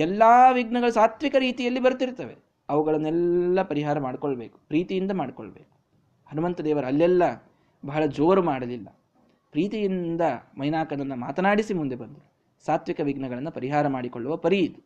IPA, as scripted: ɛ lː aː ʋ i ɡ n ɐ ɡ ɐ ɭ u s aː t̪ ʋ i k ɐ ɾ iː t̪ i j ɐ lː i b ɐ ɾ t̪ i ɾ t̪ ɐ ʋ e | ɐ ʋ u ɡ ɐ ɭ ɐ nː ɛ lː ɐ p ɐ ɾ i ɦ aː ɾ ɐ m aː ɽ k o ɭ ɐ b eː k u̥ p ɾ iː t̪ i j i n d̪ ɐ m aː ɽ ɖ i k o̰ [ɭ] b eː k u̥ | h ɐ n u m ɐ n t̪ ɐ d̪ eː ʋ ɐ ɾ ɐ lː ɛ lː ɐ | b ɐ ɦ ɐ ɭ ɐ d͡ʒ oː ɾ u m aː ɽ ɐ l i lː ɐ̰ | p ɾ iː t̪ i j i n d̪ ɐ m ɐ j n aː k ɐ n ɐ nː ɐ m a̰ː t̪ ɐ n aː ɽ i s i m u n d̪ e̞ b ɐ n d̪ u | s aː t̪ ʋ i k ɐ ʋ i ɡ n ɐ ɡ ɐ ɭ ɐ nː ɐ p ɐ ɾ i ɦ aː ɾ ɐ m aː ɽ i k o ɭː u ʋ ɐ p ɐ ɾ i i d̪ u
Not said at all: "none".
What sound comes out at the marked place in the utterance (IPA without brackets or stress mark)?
ɭ